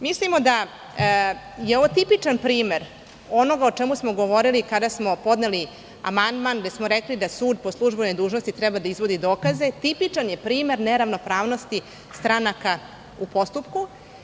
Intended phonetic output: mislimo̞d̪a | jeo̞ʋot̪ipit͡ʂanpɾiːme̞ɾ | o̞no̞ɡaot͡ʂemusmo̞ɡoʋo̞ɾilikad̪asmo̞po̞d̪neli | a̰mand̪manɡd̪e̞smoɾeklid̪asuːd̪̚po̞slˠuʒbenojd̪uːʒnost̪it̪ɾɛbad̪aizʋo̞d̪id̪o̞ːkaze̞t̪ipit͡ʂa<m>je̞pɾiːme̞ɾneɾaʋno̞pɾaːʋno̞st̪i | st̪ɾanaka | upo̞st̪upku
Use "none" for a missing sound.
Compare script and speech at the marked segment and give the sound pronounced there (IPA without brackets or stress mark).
n